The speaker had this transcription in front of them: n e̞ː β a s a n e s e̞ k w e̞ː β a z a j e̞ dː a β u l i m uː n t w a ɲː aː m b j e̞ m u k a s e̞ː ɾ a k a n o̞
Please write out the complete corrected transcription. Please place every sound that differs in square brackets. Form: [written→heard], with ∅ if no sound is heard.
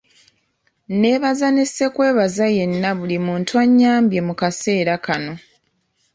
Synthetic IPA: n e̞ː β a [s→z] a n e s e̞ k w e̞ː β a z a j e̞ [dː→nː] a β u l i m uː n t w a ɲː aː m b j e̞ m u k a s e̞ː ɾ a k a n o̞